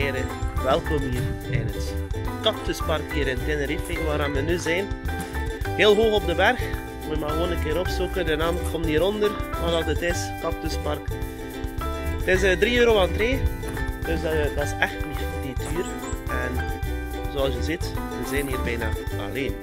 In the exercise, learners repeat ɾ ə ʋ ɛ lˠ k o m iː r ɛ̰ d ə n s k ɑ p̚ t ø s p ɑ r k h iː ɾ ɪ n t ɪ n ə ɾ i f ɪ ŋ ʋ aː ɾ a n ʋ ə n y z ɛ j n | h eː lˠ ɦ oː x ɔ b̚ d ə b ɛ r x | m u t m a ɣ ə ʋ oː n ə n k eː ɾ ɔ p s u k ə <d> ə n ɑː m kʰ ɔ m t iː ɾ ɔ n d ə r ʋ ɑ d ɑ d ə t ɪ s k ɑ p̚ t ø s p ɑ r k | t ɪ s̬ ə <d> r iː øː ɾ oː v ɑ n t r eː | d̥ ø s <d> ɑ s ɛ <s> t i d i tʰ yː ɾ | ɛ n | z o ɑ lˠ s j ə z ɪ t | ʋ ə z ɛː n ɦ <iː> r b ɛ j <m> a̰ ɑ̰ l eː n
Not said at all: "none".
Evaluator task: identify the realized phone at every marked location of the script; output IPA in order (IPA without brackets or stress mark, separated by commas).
d, d, d, x, iː, n